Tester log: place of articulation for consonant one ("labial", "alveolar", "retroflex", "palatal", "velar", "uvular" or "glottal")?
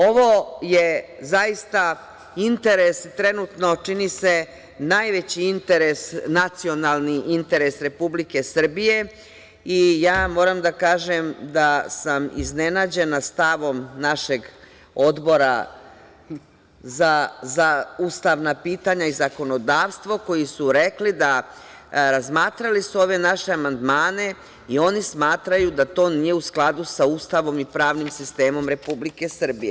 labial